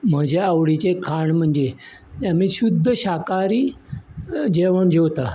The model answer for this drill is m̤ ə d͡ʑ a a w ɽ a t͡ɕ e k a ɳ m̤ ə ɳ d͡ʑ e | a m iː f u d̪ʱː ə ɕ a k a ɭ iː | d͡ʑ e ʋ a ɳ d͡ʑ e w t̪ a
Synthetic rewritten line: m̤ ə d͡ʑ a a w ɽ i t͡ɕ e kʰ a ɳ m̤ ə ɳ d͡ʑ e | a m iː ɕ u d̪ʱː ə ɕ a k a ɾ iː | d͡ʑ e ʋ ə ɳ d͡ʑ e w t̪ a